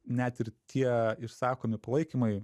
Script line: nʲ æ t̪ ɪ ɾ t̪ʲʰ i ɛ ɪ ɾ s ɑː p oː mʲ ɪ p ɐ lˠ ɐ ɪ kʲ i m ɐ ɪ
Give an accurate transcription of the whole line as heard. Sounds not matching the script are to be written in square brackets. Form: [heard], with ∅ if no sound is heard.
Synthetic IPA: nʲ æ t̪ ɪ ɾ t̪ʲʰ i ɛ ɪ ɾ s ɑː [k] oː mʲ ɪ p ɐ lˠ ɐ ɪ kʲ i m ɐ ɪ